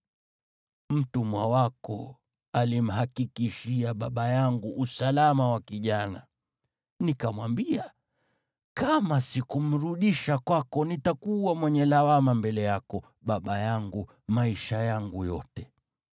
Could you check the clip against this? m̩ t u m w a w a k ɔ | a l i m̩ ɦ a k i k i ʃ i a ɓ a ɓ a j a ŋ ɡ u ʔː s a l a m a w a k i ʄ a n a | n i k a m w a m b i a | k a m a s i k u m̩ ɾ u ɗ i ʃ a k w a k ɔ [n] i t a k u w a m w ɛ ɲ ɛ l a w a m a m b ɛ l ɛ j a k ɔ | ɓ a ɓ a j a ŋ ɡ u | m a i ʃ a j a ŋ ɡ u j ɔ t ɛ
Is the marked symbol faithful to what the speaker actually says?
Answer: yes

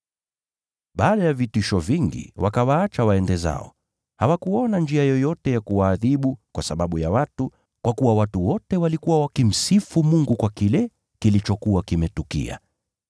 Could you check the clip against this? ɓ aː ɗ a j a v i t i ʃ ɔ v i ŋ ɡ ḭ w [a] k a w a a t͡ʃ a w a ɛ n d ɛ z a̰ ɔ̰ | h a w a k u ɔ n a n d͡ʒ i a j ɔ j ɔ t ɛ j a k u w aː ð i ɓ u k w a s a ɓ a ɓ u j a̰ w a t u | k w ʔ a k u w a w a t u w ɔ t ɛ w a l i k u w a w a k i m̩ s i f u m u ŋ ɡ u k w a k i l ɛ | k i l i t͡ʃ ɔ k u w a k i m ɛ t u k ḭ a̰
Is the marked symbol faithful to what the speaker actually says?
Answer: yes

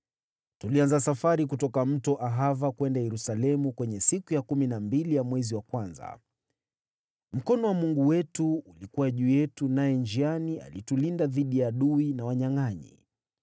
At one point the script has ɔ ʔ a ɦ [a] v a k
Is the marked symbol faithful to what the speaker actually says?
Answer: yes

